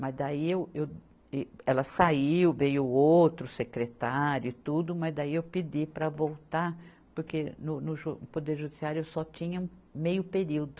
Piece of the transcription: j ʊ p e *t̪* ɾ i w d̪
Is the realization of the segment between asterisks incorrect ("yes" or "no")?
yes